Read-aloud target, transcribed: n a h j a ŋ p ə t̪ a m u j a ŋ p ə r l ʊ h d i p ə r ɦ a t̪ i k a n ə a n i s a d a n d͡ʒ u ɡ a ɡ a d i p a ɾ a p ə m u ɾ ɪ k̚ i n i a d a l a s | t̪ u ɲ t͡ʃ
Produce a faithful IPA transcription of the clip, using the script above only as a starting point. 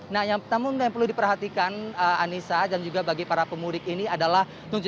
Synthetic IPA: n a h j a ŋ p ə t̪ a m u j a ŋ p ə r l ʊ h d i p ə r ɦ a t̪ i k a n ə a n i s a d a n d͡ʒ u ɡ a b a ɡ i p a ɾ a p ə m u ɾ ɪ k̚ i n i a d a l a h | t̪ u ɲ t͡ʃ